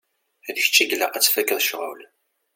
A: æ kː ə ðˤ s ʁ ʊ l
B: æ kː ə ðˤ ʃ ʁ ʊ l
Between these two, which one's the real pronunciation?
B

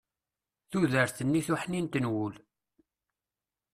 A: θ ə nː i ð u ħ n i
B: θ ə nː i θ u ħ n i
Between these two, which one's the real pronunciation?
B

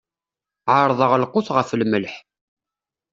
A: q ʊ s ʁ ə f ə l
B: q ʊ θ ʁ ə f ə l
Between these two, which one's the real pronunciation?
B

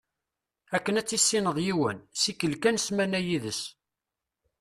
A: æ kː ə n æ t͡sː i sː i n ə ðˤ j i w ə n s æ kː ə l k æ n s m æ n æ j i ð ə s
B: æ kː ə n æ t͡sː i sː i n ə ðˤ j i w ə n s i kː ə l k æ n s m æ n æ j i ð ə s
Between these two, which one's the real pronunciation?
B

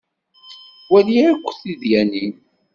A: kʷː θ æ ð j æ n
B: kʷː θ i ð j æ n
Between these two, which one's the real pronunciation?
B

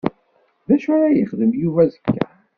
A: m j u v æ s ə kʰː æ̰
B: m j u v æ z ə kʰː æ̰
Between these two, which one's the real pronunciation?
B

